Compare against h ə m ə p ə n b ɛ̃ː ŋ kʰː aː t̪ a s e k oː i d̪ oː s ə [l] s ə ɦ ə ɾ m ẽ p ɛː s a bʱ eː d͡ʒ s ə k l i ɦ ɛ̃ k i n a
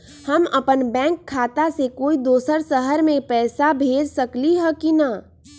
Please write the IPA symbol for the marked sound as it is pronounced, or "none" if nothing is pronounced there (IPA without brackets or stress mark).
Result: ɾ